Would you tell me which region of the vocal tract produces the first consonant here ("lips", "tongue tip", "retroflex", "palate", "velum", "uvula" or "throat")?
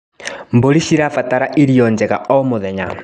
lips